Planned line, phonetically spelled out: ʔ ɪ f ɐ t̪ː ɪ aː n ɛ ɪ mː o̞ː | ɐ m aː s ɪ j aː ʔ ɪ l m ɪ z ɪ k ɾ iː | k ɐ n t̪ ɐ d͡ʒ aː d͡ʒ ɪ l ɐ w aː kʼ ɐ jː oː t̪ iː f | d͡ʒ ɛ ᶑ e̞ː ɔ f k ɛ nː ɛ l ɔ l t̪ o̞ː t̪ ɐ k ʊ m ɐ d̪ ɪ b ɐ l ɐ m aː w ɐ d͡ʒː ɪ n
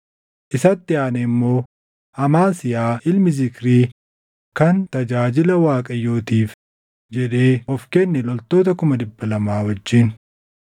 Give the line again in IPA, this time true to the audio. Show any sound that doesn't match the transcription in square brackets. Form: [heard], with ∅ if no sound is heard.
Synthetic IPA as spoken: ʔ ɪ [s] ɐ t̪ː ɪ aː n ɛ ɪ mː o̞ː | ɐ m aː s ɪ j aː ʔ ɪ l m ɪ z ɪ k ɾ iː | k ɐ n t̪ ɐ d͡ʒ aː d͡ʒ ɪ l ɐ w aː kʼ ɐ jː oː t̪ iː f | d͡ʒ ɛ ᶑ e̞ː ɔ f k ɛ nː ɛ l ɔ l t̪ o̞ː t̪ ɐ k ʊ m ɐ d̪ ɪ [bː] ɐ l ɐ m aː w ɐ d͡ʒː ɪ n